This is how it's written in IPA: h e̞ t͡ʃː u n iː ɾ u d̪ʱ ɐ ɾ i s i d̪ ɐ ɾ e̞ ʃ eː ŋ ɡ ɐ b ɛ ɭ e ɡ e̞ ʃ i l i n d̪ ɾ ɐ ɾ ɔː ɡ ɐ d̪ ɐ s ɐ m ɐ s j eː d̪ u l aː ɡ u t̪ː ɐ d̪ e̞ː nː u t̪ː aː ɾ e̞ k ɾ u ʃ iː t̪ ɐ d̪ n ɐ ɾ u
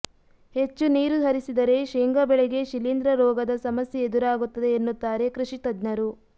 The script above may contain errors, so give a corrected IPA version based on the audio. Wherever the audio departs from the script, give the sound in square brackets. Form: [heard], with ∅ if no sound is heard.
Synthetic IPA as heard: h e̞ t͡ʃː u n iː ɾ u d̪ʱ ɐ ɾ i s i d̪ ɐ ɾ e̞ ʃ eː ŋ ɡ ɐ b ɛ ɭ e ɡ e̞ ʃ i l i n d̪ ɾ ɐ ɾ ɔː ɡ ɐ d̪ ɐ s ɐ m ɐ s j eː d̪ u [ɾ] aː ɡ u t̪ː ɐ d̪ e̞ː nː u t̪ː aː ɾ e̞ k ɾ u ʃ [i] t̪ ɐ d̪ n ɐ ɾ u